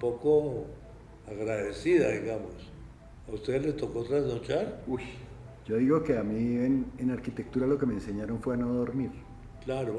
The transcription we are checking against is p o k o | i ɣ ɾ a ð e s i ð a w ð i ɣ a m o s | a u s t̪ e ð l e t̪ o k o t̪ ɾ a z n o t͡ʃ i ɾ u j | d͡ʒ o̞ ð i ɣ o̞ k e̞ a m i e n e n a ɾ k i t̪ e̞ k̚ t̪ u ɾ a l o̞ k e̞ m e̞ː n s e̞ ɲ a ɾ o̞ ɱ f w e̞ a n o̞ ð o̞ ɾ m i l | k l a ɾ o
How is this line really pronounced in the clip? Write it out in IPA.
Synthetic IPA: p o k o | a ɣ ɾ a ð e s i ð a ð i ɣ a m o s | a u s t̪ e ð l e t̪ o k o t̪ ɾ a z n o t͡ʃ a ɾ u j | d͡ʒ o̞ ð i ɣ o̞ k e̞ a m i e n e n a ɾ k i t̪ e̞ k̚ t̪ u ɾ a l o̞ k e̞ m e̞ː n s e̞ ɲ a ɾ o̞ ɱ f w e̞ a n o̞ ð o̞ ɾ m i ɾ | k l a ɾ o